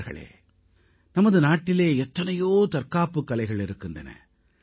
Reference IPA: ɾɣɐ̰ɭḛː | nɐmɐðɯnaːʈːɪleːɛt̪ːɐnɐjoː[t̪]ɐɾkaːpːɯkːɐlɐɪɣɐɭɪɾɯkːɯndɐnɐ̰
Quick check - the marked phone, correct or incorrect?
correct